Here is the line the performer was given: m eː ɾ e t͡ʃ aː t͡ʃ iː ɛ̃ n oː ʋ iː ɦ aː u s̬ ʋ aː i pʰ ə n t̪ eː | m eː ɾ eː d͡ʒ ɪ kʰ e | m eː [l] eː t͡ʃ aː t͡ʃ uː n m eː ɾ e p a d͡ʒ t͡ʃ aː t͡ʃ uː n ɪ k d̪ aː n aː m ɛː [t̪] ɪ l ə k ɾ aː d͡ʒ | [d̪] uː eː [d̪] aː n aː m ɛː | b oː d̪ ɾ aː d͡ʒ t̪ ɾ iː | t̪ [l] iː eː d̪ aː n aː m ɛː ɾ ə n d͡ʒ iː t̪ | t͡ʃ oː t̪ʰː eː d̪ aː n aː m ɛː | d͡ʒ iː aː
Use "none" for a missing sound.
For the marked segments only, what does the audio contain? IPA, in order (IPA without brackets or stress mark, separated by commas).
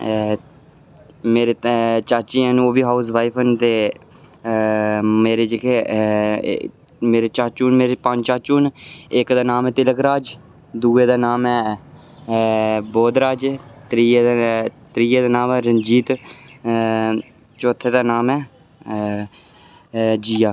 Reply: ɾ, t̪, d̪, d̪, ɾ